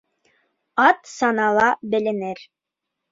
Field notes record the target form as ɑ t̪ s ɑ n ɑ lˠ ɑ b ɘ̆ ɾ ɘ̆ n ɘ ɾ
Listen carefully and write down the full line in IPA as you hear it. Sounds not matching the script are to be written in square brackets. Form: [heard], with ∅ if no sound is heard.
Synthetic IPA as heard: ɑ t̪ s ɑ n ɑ lˠ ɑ b ɘ̆ [l] ɘ̆ n ɘ ɾ